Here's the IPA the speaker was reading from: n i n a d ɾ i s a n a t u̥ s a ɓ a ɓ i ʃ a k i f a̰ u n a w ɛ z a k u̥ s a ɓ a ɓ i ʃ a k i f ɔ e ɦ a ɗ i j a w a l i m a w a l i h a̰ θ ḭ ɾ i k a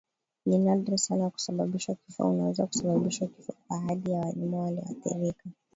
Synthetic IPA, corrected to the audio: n i n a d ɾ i s a n a k u̥ s a ɓ a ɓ i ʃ a k i f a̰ u n a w ɛ z a k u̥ s a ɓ a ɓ i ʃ a k i f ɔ a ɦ a ɗ i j a w a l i m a w a l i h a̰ θ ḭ ɾ i k a